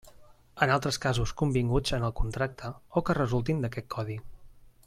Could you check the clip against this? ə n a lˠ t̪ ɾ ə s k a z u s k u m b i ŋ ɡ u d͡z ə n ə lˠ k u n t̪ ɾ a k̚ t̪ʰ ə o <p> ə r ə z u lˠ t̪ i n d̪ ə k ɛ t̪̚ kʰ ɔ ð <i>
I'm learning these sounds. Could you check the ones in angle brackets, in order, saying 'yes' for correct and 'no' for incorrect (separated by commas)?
no, yes